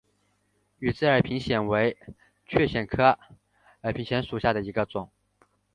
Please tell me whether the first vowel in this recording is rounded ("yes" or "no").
yes